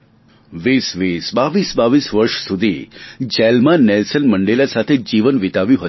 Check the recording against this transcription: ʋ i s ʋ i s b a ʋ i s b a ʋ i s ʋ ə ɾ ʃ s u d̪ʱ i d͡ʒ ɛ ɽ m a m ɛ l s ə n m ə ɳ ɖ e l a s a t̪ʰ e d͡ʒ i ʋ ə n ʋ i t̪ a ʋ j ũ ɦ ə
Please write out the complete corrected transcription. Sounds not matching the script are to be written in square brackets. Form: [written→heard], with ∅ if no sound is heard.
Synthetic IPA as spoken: ʋ i s ʋ i s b a ʋ i s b a ʋ i s ʋ ə ɾ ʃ s u d̪ʱ i d͡ʒ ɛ [ɽ→l] m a [m→n] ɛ l s ə n m ə ɳ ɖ e l a s a t̪ʰ e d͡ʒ i ʋ ə n ʋ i t̪ a ʋ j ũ ɦ ə

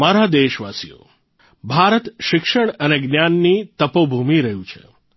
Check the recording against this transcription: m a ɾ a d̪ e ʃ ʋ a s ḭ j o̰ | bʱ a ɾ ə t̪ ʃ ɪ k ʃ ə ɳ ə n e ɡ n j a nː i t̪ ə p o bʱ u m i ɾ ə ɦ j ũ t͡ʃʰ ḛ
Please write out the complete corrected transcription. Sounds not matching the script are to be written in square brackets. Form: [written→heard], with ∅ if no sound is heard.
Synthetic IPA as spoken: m a ɾ a d̪ e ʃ ʋ a s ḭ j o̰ | bʱ a ɾ ə t̪ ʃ ɪ k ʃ ə ɳ ə n e ɡ n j a nː i t̪ ə p o bʱ u m i ɾ ə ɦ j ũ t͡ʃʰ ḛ

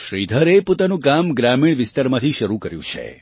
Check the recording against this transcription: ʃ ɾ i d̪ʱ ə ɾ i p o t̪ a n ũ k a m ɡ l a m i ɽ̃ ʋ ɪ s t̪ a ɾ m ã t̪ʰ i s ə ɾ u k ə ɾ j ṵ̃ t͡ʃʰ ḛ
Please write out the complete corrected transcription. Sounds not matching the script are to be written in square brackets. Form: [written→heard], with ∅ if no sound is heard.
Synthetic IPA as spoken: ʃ ɾ i d̪ʱ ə ɾ [i→e] p o t̪ a n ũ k a m ɡ [l→ɾ] a m i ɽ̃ ʋ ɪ s t̪ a ɾ m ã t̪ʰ i [s→ʃ] ə ɾ u k ə ɾ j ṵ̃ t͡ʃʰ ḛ

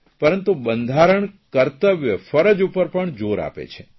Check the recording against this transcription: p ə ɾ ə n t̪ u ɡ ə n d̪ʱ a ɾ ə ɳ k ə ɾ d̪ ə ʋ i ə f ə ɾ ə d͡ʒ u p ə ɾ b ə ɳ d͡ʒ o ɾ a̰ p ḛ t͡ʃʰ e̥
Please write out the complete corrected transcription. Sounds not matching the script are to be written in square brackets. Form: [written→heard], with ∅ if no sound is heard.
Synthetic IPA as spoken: p ə ɾ ə n t̪ u [ɡ→b] ə n d̪ʱ a ɾ ə ɳ k ə ɾ [d̪→t̪] ə ʋ [i→j] ə f ə ɾ ə d͡ʒ u p ə ɾ [b→p] ə ɳ d͡ʒ o ɾ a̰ p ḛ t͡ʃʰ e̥

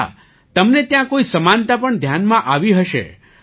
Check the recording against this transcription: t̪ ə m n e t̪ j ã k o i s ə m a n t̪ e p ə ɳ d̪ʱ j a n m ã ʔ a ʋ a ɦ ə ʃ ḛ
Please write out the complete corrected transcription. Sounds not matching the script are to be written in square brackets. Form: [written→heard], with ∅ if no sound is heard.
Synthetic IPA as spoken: t̪ ə m n e t̪ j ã k o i s ə m a n t̪ [e→a] p ə ɳ d̪ʱ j a n m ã ʔ a ʋ [a→i] ɦ ə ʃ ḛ

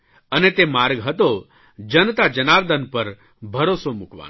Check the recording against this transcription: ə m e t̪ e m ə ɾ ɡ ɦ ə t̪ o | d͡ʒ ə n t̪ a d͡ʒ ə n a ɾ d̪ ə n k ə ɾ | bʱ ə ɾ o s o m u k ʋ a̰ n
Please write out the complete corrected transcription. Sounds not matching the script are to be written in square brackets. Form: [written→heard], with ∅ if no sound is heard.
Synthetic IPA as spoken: ə [m→n] e t̪ e m [ə→a] ɾ ɡ ɦ ə t̪ o | d͡ʒ ə n t̪ a d͡ʒ ə n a ɾ d̪ ə n [k→p] ə ɾ | bʱ ə ɾ o s o m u k ʋ a̰ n

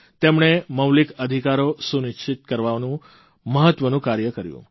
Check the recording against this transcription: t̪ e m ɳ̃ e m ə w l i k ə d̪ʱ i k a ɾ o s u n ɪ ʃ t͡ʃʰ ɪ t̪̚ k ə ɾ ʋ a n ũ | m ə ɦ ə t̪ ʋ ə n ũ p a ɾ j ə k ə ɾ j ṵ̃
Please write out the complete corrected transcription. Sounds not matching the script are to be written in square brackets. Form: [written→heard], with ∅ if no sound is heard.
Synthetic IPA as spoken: t̪ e m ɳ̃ e m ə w l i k ə d̪ʱ i k a ɾ o s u n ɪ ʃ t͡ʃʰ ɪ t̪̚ k ə ɾ ʋ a n ũ | m ə ɦ ə t̪ ʋ ə n ũ [p→k] a ɾ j ə k ə ɾ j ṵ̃

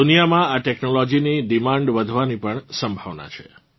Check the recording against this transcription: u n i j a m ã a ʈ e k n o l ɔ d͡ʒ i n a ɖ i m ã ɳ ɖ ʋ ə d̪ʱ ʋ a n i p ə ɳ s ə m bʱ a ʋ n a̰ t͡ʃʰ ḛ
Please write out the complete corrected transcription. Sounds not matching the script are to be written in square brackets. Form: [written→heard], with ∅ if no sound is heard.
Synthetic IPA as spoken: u n i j a m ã a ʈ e k n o l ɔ d͡ʒ i n [a→i] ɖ i m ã ɳ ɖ ʋ ə d̪ʱ ʋ a n i p ə ɳ s ə m bʱ a ʋ n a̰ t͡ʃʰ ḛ

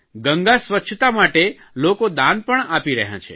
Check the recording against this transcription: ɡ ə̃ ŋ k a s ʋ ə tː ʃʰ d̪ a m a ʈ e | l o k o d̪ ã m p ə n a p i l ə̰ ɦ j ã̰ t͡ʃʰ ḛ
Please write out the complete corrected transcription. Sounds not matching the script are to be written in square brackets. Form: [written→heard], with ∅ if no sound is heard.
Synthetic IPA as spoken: ɡ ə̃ ŋ [k→ɡ] a s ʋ ə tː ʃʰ [d̪→t̪] a m a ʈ e | l o k o d̪ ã [m→n] p ə [n→ɳ] a p i [l→ɾ] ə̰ ɦ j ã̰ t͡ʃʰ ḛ

